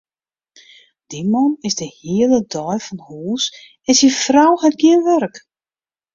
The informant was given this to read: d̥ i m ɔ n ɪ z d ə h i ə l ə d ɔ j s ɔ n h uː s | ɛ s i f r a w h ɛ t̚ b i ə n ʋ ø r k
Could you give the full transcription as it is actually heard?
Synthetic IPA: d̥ i m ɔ n ɪ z d ə h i ə l ə d ɔ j f ɔ n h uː s | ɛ s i f r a w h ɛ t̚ ɡ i ə n ʋ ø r k